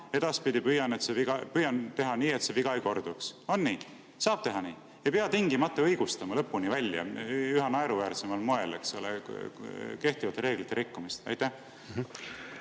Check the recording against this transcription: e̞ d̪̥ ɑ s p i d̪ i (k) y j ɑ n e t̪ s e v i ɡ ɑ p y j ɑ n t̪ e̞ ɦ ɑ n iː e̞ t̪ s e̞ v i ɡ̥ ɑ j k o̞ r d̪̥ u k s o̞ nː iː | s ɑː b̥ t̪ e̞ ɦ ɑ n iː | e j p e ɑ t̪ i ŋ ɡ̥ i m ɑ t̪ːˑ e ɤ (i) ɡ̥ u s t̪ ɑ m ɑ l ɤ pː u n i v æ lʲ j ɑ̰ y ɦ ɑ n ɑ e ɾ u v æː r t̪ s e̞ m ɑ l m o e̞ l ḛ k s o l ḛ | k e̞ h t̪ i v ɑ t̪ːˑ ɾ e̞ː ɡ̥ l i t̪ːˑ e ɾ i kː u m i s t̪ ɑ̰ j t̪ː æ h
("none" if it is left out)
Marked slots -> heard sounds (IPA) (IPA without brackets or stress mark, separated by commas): p, j